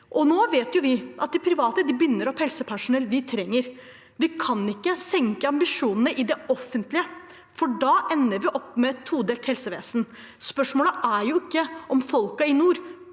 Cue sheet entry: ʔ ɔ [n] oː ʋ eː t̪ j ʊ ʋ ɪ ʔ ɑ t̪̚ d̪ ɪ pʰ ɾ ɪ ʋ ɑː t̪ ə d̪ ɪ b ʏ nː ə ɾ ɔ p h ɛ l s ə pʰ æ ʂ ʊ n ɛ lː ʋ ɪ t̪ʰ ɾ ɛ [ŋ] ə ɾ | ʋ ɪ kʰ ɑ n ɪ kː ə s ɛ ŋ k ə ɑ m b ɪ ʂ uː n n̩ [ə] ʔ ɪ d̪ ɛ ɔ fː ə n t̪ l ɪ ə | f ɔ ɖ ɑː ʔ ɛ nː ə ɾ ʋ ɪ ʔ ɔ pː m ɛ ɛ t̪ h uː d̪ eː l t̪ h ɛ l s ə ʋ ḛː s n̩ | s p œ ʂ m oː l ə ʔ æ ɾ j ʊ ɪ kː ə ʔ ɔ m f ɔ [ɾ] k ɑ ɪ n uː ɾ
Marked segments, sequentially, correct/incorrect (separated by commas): correct, incorrect, correct, incorrect